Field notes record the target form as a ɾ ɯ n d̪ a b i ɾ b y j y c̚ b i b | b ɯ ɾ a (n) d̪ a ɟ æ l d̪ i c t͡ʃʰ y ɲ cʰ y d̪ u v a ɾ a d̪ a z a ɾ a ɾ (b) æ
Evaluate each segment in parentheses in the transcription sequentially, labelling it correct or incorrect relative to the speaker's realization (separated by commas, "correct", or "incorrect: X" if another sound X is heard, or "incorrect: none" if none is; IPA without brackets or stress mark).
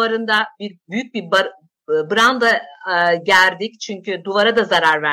correct, incorrect: v